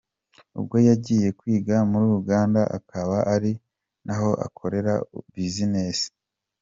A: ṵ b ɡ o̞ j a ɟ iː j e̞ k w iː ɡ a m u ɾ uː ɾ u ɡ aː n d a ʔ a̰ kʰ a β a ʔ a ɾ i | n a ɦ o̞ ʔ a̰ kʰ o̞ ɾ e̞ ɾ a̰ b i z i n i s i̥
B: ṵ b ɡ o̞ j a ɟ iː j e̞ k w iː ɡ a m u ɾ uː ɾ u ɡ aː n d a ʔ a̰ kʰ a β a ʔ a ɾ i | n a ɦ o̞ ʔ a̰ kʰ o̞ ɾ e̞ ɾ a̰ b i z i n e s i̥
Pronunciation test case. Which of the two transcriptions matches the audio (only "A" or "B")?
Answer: B